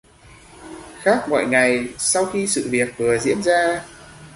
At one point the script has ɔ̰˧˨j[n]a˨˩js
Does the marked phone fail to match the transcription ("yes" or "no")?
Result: yes